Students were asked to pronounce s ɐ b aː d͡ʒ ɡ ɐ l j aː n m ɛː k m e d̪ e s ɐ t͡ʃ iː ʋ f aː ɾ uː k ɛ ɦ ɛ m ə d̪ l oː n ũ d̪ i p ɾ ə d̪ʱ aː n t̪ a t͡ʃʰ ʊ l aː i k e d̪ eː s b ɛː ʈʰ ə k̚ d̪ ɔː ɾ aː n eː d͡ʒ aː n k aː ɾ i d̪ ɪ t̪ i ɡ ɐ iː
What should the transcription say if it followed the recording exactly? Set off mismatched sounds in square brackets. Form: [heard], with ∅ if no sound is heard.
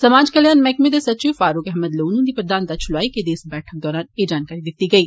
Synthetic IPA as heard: s ɐ [m] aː d͡ʒ [k] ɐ l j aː n m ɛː k m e d̪ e s ɐ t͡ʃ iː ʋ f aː ɾ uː k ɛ ɦ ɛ m ə d̪ l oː n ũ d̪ i p ɾ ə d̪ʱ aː n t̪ a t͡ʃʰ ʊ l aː i k e d̪ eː s b ɛː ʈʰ ə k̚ d̪ ɔː ɾ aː n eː d͡ʒ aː n k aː ɾ i d̪ ɪ t̪ i ɡ ɐ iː